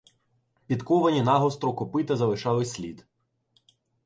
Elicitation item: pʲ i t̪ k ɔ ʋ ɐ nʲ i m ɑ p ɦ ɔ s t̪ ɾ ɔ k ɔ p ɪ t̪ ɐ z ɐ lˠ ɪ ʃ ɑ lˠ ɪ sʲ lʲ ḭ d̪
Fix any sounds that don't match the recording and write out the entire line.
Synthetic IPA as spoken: pʲ i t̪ k ɔ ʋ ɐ nʲ i n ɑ ɦ ɔ s t̪ ɾ ɔ k ɔ p ɪ t̪ ɐ z ɐ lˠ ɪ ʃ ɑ lˠ ɪ sʲ lʲ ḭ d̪